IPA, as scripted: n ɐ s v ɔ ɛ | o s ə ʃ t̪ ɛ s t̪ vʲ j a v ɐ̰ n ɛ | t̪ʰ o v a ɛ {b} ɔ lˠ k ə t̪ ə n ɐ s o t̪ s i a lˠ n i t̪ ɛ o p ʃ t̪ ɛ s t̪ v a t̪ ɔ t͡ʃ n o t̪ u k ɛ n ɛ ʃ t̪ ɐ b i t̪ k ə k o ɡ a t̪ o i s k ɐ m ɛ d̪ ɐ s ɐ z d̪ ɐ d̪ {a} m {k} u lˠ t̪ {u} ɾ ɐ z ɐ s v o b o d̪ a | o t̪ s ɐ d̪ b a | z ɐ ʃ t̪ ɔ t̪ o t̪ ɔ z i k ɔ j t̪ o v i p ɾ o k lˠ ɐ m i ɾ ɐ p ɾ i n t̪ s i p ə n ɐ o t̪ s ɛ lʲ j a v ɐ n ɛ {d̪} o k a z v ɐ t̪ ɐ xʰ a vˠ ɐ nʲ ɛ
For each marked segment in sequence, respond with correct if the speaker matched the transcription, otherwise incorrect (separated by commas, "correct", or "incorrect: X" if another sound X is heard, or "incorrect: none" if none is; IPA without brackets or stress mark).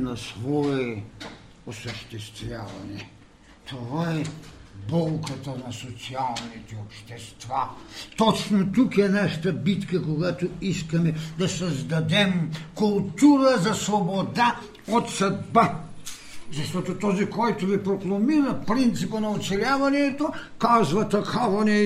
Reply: correct, incorrect: ɛ, correct, correct, incorrect: t̪